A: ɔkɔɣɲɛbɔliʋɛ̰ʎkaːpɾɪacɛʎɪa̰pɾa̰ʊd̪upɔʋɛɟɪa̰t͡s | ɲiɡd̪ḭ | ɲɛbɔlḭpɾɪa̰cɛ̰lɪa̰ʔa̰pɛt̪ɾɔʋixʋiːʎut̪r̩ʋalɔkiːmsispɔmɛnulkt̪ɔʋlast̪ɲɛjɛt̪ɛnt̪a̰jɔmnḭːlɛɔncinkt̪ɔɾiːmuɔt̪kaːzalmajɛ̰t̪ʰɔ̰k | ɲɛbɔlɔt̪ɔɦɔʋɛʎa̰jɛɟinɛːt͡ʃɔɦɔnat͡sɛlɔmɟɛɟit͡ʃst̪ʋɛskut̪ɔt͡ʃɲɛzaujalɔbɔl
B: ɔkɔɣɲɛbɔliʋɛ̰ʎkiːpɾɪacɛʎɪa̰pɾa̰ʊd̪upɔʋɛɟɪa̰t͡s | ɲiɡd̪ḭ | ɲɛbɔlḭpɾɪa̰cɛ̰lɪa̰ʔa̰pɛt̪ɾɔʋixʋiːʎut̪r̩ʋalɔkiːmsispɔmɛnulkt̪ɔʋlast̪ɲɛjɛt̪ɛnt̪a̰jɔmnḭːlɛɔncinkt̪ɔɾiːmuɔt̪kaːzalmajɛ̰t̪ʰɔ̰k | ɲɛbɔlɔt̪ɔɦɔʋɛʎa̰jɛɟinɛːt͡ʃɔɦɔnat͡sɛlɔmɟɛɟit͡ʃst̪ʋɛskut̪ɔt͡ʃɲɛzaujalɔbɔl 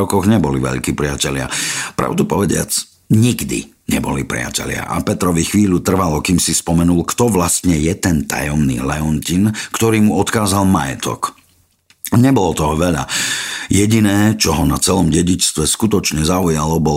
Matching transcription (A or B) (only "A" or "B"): B